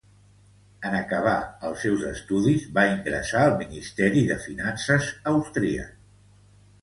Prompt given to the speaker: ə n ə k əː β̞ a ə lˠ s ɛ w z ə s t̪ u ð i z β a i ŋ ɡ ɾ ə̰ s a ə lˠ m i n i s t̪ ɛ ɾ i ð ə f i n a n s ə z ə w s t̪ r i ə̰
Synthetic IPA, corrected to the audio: ə n ə k ə β̞ a ə lˠ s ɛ w z ə s t̪ u ð i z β a i ŋ ɡ ɾ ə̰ s a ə lˠ m i n i s t̪ ɛ ɾ i ð ə f i n a n s ə z ə w s t̪ ɾ i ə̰